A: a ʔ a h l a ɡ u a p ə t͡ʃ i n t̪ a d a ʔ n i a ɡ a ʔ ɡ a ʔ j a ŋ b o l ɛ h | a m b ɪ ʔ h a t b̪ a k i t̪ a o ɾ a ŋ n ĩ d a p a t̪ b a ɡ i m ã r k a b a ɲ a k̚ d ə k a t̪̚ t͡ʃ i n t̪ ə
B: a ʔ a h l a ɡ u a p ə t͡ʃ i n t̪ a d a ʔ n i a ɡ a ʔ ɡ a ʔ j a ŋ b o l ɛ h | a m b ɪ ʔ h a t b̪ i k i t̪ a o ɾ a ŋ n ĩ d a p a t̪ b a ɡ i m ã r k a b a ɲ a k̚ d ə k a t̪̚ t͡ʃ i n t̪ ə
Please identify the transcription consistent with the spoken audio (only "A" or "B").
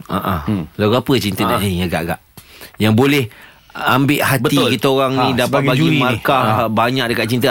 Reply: B